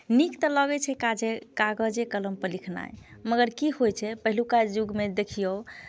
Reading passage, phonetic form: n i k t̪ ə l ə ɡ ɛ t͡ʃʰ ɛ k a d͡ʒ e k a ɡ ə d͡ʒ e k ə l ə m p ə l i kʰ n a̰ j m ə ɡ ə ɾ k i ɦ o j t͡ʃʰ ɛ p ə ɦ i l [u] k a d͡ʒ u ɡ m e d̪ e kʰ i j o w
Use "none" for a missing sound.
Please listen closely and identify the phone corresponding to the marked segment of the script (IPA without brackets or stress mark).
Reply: u